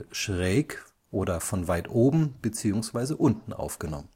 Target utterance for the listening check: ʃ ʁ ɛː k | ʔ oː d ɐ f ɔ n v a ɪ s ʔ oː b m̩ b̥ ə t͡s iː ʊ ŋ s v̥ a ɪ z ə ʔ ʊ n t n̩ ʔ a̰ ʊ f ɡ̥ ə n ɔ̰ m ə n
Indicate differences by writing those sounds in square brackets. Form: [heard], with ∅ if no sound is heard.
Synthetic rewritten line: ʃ ʁ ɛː k | ʔ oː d ɐ f ɔ n v a ɪ [t] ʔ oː b m̩ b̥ ə t͡s iː ʊ ŋ s v̥ a ɪ z ə ʔ ʊ n t n̩ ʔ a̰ ʊ f ɡ̥ ə n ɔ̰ m ə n

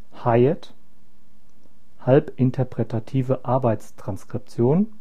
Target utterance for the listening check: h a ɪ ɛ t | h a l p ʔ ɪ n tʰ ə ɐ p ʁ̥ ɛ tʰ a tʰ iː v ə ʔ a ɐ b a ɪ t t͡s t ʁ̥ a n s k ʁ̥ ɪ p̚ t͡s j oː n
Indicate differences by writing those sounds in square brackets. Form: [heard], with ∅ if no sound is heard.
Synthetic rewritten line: h a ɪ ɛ t | h a l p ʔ ɪ n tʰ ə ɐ p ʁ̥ ɛ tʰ a tʰ iː v ə ʔ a ɐ b a ɪ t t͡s t ʁ̥ a n s k ʁ̥ ɪ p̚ t͡s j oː n

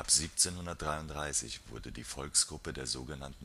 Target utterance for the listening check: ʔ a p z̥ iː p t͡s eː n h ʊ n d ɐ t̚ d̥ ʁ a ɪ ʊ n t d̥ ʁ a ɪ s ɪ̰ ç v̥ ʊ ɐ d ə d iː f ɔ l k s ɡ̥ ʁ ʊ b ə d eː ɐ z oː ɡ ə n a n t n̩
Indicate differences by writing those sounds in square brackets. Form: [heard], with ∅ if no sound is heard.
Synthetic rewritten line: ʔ a p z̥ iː p t͡s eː n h ʊ n d ɐ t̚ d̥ ʁ a ɪ ʊ n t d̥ ʁ a ɪ s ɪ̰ ç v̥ ʊ ɐ d ə d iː f ɔ l k s ɡ̥ ʁ ʊ [p] ə d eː ɐ z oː ɡ ə n a n t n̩

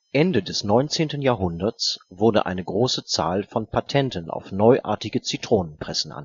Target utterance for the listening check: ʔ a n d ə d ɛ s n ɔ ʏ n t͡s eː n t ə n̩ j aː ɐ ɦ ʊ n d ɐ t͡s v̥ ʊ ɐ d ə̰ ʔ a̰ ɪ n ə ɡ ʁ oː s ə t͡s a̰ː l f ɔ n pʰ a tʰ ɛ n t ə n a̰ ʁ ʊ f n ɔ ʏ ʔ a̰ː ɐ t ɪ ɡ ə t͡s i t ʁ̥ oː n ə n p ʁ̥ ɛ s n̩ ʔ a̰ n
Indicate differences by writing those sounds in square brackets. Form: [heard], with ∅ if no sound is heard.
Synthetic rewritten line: ʔ [ɛ] n d ə d ɛ s n ɔ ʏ n t͡s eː n t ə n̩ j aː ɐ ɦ ʊ n d ɐ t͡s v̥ ʊ ɐ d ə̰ ʔ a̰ ɪ n ə ɡ ʁ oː s ə t͡s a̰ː l f ɔ n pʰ a tʰ ɛ n t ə n a̰ [∅] ʊ f n ɔ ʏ ʔ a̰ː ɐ t ɪ ɡ ə t͡s i t ʁ̥ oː n ə n p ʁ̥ ɛ s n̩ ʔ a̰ n

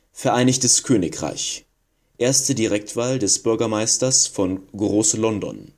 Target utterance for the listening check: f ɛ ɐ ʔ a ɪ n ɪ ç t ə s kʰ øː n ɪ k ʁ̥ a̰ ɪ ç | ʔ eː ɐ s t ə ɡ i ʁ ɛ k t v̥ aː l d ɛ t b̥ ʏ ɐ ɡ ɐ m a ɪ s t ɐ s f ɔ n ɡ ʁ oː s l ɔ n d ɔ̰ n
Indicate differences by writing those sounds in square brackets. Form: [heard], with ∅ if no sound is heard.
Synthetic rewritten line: f ɛ ɐ ʔ a ɪ n ɪ ç t ə s kʰ øː n ɪ k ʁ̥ a̰ ɪ ç | ʔ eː ɐ s t ə [d] i ʁ ɛ k t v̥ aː l d ɛ [s] b̥ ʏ ɐ ɡ ɐ m a ɪ s t ɐ s f ɔ n ɡ ʁ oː s l ɔ n d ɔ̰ n

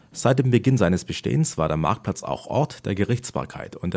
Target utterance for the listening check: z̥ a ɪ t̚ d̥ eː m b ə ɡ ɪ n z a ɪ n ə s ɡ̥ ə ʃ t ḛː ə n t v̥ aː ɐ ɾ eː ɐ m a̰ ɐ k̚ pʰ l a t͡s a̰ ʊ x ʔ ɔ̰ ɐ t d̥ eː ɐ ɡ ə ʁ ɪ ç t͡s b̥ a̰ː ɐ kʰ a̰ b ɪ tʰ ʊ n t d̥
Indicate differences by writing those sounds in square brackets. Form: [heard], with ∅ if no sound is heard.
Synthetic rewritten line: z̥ a ɪ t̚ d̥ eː m b ə ɡ ɪ n z a ɪ n ə s [b̥] ə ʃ t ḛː ə n [s] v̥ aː ɐ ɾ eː ɐ m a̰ ɐ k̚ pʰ l a t͡s a̰ ʊ x ʔ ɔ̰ ɐ t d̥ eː ɐ ɡ ə ʁ ɪ ç t͡s b̥ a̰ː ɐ kʰ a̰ [∅] ɪ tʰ ʊ n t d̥

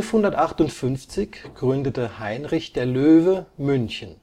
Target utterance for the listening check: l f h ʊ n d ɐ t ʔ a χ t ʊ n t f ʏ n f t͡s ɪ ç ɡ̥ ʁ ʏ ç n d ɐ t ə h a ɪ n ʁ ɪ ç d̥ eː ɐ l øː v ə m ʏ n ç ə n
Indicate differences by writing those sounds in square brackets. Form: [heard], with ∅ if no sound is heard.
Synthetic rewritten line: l f h ʊ n d ɐ t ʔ a χ t ʊ n t f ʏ n f t͡s ɪ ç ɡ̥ ʁ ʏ [∅] n d [ə] t ə h a ɪ n ʁ ɪ ç d̥ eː ɐ l øː v ə m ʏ n ç ə n

